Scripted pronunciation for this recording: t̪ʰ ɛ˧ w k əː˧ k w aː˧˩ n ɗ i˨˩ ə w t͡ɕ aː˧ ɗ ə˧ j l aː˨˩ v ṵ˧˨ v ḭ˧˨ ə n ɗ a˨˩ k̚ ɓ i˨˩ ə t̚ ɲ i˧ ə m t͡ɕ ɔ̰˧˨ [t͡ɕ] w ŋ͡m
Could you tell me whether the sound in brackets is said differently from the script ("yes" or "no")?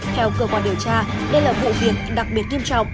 yes